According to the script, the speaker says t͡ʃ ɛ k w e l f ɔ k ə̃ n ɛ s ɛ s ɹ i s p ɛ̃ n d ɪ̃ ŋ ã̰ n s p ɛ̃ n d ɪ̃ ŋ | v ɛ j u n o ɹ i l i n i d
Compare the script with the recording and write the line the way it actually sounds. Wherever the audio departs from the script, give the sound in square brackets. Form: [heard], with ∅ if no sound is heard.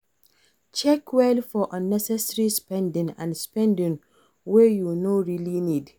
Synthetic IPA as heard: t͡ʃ ɛ k w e l f ɔ [ʔ] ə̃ n ɛ s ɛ s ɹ i s p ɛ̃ n d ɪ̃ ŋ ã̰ n s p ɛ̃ n d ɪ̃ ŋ | [w] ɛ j u n o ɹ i l i n i d